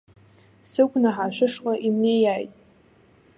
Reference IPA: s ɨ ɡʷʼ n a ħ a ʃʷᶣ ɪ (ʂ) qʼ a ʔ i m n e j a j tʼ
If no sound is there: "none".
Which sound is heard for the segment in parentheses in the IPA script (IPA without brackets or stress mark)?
ʂ